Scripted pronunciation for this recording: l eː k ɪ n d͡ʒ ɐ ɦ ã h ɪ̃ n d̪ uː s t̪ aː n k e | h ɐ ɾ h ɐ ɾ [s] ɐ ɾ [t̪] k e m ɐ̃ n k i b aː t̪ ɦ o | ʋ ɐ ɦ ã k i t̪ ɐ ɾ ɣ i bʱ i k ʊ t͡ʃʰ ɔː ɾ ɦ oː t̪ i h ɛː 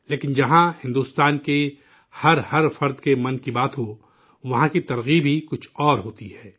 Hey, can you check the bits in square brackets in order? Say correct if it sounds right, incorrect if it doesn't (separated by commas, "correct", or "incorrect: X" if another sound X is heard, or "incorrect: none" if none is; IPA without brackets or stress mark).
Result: incorrect: f, incorrect: d̪